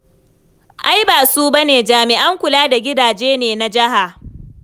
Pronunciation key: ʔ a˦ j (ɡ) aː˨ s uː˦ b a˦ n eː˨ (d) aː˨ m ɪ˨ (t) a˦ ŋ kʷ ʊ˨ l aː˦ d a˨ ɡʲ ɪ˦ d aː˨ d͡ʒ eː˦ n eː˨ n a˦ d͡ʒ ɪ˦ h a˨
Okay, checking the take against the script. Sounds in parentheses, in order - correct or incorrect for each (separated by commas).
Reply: incorrect, incorrect, incorrect